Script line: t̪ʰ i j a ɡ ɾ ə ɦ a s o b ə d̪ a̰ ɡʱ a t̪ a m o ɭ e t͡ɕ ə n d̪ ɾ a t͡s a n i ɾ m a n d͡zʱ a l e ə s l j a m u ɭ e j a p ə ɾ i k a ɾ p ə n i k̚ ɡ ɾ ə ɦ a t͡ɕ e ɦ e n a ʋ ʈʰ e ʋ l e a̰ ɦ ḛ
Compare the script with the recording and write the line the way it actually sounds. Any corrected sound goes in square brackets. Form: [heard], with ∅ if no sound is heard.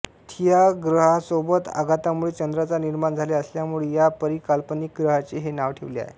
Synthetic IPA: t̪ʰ i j a ɡ ɾ ə ɦ a s o b ə [t̪] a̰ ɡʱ a t̪ a m [u] ɭ e t͡ɕ ə n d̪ ɾ a t͡s a n i ɾ m a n d͡zʱ a l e ə s l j a m u ɭ e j a p ə ɾ i k a [l] p ə n i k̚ ɡ ɾ ə ɦ a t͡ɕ e ɦ e n a ʋ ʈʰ e ʋ l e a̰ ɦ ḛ